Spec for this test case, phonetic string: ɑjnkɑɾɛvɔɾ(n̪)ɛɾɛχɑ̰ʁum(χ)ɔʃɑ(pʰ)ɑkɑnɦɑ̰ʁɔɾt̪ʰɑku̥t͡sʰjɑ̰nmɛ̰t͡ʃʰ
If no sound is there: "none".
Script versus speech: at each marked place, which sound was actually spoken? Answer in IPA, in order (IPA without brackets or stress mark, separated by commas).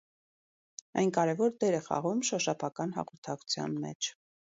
d̪, ʃ, pʰ